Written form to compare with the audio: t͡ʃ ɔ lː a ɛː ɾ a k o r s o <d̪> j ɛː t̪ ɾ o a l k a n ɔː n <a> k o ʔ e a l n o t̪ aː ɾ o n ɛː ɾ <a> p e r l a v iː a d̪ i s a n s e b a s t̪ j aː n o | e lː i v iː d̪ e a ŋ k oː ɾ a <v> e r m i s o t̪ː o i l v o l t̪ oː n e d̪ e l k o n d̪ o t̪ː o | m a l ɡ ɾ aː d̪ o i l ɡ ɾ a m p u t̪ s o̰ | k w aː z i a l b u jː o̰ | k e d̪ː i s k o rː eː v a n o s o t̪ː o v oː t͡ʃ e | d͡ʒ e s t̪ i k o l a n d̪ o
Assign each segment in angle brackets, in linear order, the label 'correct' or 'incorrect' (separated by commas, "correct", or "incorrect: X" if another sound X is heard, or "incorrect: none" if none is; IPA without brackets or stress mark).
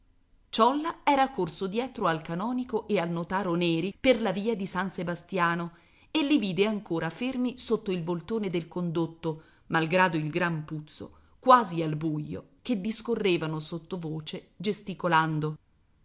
correct, incorrect: i, incorrect: i, incorrect: f